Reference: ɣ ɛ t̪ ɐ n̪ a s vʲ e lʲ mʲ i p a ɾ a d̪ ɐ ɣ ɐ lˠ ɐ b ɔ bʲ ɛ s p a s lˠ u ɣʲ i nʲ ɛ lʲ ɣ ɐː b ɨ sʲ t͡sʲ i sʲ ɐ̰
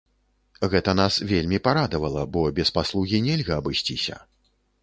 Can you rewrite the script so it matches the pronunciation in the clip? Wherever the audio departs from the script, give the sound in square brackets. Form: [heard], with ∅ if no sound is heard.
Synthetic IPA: ɣ ɛ t̪ ɐ n̪ a s vʲ e lʲ mʲ i p a ɾ a d̪ ɐ [v] ɐ lˠ ɐ b ɔ bʲ ɛ s p a s lˠ u ɣʲ i nʲ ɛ lʲ ɣ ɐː b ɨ sʲ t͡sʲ i sʲ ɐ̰